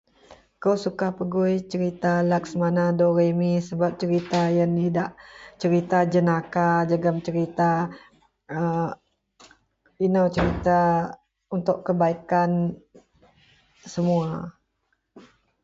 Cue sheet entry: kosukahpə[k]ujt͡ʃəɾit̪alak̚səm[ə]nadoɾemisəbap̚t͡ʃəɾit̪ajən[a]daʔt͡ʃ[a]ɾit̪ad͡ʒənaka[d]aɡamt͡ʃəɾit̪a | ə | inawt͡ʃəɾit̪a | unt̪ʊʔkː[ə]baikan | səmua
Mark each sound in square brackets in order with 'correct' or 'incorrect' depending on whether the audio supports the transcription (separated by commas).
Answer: incorrect, incorrect, incorrect, incorrect, incorrect, correct